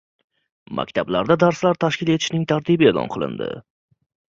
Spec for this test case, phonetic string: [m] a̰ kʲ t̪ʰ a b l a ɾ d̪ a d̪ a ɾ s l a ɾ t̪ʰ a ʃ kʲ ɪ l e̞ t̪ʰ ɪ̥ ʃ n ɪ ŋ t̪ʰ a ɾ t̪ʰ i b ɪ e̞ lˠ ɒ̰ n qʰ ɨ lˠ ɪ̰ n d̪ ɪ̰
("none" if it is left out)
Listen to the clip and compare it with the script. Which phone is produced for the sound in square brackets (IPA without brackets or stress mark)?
m